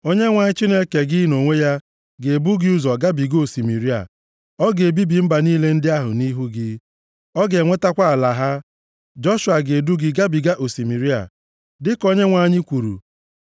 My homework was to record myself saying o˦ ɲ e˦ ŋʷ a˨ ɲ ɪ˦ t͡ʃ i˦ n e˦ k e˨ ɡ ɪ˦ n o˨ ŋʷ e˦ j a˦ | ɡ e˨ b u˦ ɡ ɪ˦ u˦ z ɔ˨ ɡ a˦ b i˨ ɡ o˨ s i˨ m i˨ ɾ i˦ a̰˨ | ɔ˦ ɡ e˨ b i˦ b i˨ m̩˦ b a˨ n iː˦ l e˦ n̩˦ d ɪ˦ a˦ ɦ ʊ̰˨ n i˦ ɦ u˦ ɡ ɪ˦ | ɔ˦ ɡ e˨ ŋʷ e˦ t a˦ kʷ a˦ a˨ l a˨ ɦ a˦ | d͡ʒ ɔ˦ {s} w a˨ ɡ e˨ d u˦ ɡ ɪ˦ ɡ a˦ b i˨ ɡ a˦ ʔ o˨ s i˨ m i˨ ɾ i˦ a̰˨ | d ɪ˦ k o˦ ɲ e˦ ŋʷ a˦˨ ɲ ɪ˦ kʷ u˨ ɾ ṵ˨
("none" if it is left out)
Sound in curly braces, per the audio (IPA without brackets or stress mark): ʃ